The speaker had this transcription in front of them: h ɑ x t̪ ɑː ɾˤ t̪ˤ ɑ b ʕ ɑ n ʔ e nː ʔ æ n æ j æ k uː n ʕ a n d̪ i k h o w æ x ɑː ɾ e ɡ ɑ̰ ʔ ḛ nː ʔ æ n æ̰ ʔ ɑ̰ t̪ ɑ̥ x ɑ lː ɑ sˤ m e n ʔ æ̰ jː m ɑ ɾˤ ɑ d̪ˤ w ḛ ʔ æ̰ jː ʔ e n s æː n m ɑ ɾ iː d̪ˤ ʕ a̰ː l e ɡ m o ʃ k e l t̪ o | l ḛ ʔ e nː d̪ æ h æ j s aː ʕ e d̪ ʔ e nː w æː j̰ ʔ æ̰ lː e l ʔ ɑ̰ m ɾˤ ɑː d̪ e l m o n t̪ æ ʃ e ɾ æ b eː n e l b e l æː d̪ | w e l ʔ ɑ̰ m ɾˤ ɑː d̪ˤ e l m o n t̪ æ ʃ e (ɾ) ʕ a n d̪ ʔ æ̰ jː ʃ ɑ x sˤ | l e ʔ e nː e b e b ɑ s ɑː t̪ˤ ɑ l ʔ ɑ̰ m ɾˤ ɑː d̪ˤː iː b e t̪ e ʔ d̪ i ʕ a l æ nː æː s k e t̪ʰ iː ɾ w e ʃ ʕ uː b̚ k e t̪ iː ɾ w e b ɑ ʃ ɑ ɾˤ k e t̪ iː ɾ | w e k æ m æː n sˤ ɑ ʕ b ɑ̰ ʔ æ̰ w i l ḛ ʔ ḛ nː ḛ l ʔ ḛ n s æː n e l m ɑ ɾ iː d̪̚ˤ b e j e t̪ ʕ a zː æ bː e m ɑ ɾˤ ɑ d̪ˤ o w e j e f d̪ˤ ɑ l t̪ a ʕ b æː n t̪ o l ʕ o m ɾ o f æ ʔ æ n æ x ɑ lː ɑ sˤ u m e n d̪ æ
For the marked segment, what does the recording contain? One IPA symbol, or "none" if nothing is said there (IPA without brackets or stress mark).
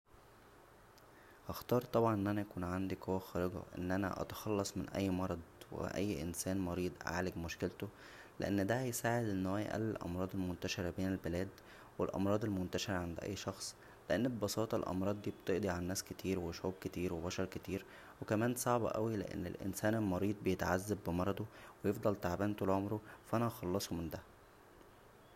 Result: ɾ